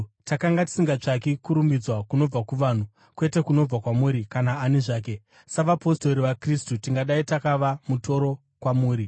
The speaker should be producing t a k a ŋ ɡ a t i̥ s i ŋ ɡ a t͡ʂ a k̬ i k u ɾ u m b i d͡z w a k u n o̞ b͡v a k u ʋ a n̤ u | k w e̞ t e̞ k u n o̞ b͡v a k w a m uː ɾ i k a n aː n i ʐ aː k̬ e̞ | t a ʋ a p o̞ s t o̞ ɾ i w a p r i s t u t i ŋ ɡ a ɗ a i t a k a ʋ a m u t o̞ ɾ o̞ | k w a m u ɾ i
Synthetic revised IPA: t a k a ŋ ɡ a t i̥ s i ŋ ɡ a t͡ʂ a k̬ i k u ɾ u m b i d͡z w a k u n o̞ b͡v a k u ʋ a n̤ u | k w e̞ t e̞ k u n o̞ b͡v a k w a m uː ɾ i k a n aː n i ʐ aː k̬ e̞ | s a ʋ a p o̞ s t o̞ ɾ i ʋ a k r i s t u t i ŋ ɡ a ɗ a i t a k a ʋ a m u t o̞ ɾ o̞ | k w a m uː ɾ i